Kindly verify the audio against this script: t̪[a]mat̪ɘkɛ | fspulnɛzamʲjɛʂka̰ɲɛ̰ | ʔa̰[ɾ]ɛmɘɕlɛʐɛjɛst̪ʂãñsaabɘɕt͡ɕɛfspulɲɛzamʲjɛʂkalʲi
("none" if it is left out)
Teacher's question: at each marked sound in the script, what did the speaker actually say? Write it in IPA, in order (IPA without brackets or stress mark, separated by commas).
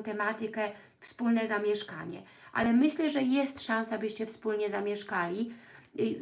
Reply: ɛ, l